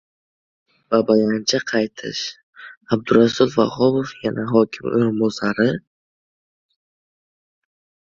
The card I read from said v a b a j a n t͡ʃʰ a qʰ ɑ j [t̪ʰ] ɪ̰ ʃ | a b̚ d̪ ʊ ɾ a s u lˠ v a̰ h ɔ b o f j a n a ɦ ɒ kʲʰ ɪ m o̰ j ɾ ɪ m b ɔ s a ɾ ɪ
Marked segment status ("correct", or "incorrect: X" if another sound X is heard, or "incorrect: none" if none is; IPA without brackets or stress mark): correct